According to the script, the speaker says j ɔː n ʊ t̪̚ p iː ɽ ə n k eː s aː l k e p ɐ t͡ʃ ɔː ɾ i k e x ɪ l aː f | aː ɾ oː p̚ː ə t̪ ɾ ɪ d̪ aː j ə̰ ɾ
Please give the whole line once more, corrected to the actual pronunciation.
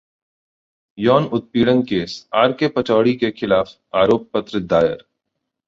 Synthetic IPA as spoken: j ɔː n ʊ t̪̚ p iː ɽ ə n k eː s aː ɾ k e p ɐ t͡ʃ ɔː ɽ i k e x ɪ l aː f | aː ɾ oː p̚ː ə t̪ ɾ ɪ d̪ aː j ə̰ ɾ

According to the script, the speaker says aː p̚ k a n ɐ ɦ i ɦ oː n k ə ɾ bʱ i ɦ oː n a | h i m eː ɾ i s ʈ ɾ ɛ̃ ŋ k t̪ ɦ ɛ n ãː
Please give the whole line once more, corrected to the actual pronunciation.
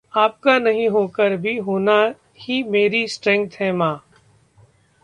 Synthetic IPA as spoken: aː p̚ k a n ɐ ɦ ĩ ɦ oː k ə ɾ bʱ i ɦ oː n a | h i m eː ɾ i s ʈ ɾ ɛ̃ ŋ k t̪ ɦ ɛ m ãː

